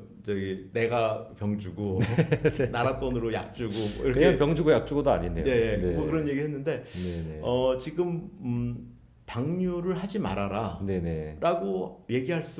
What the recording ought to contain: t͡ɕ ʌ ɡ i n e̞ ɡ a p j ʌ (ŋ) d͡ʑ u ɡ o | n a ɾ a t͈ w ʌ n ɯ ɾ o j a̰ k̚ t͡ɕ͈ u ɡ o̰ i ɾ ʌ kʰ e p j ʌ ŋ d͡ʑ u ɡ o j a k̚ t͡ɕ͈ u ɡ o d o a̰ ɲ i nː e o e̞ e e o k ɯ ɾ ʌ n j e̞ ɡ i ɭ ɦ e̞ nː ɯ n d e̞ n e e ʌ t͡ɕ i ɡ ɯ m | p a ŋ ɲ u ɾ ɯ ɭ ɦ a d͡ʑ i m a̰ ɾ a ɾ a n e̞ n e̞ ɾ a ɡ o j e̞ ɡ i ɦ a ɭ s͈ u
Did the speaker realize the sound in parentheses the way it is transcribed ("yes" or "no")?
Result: yes